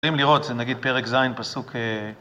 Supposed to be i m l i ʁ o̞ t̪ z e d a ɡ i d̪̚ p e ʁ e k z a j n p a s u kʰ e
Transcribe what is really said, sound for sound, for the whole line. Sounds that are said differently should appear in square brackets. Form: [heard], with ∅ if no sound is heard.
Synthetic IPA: i m l i ʁ o̞ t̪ z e [n] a ɡ i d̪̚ p e ʁ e k z a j n p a s u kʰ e